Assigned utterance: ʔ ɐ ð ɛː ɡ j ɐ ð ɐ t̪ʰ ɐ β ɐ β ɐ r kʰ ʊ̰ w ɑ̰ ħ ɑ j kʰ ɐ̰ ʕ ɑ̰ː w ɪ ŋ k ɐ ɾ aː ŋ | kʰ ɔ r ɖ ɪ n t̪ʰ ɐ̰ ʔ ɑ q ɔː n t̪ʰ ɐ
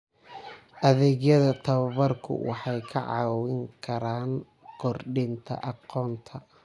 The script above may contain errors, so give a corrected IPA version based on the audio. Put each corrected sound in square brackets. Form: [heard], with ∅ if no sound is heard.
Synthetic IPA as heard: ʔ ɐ ð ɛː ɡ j ɐ ð ɐ t̪ʰ ɐ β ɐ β ɐ r kʰ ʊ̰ w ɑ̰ ħ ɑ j kʰ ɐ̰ ʕ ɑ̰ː w ɪ ŋ [kʰ] ɐ ɾ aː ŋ | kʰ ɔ r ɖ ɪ n t̪ʰ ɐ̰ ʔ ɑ q ɔː n t̪ʰ ɐ